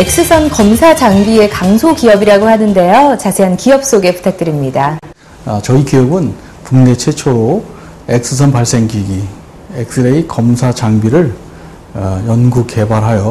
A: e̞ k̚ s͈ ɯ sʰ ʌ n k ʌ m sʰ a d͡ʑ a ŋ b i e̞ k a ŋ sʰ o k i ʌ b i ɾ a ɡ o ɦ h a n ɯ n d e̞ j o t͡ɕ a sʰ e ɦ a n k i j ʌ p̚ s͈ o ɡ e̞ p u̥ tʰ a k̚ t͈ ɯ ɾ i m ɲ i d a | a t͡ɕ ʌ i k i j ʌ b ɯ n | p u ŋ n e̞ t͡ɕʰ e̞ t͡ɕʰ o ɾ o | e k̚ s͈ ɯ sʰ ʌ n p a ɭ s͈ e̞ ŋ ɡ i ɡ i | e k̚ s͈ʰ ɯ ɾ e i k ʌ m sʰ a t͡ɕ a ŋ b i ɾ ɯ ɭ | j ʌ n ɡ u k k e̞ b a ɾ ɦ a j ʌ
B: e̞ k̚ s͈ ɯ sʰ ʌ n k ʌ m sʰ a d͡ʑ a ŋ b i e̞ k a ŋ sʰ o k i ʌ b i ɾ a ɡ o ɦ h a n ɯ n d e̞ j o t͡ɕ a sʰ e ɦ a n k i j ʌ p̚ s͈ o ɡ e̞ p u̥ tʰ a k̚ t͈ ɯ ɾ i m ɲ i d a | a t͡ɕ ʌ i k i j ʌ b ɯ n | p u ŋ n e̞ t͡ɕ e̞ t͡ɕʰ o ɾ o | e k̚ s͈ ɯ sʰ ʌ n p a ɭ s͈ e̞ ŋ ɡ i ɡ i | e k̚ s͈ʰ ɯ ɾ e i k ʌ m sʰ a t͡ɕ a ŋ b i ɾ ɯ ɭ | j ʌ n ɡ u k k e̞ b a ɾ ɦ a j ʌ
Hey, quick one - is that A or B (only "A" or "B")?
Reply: A